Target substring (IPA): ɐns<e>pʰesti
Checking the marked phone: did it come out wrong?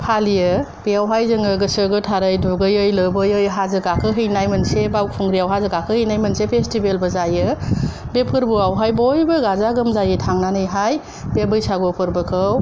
no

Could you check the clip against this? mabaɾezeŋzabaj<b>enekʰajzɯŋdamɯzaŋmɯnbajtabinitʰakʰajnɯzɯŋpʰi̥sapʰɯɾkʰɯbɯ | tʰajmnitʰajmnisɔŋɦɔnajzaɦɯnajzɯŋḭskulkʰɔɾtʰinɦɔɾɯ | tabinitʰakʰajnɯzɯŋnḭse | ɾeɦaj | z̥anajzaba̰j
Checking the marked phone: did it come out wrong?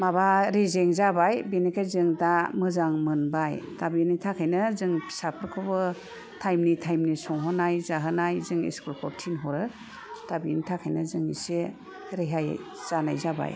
no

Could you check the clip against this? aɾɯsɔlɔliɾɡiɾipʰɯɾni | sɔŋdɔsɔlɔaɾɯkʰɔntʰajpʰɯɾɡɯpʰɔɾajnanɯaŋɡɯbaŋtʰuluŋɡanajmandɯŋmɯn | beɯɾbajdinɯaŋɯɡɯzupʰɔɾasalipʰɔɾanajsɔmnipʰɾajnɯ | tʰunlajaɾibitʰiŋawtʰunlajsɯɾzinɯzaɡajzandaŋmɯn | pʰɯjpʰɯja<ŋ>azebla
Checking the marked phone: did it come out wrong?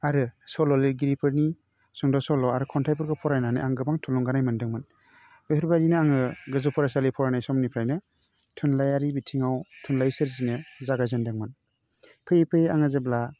no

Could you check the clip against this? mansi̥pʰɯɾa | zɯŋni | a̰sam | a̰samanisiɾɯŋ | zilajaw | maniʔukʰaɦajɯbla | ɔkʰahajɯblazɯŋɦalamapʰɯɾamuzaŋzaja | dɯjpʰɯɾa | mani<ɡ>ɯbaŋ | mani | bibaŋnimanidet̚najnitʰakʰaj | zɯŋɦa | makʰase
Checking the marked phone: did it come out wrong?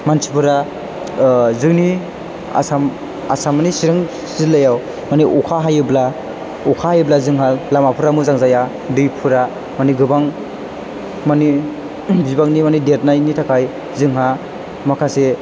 no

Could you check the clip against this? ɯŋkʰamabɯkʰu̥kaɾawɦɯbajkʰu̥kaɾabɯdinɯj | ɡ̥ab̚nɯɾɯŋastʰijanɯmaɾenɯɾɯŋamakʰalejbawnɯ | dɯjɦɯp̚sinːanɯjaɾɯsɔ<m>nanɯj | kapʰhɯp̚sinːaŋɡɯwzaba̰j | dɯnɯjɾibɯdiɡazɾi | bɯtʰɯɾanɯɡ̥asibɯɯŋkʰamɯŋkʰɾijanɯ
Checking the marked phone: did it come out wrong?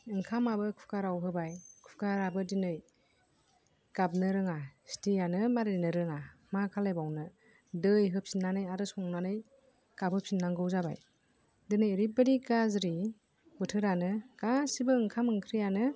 yes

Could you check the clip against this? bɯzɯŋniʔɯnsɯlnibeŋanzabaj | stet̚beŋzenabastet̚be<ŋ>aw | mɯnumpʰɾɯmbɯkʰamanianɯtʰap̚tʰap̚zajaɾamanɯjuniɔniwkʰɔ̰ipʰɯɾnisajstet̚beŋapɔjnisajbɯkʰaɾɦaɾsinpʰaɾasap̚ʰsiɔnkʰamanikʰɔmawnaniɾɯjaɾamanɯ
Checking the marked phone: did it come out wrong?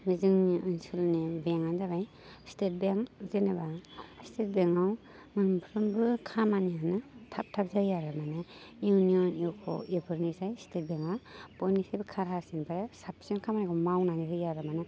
no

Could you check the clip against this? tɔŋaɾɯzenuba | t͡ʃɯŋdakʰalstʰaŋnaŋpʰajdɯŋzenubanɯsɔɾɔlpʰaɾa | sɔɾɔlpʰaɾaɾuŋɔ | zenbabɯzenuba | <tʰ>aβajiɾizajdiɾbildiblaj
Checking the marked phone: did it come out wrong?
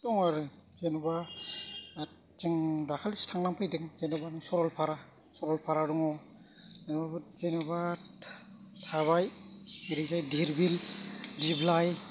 no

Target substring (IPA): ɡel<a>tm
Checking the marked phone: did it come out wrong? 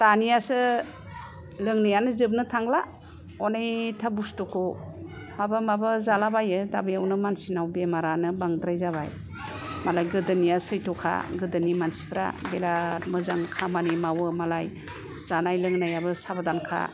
no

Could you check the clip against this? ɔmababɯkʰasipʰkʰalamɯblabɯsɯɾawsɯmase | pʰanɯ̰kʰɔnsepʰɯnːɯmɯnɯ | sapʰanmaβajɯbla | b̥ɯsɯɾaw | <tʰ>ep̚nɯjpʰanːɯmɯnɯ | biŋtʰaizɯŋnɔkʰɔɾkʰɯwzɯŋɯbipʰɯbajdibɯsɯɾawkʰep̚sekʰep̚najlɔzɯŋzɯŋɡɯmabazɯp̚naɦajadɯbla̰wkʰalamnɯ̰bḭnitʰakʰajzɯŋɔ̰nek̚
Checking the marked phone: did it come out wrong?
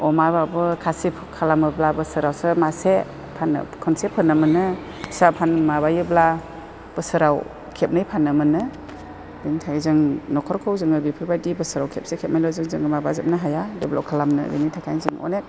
yes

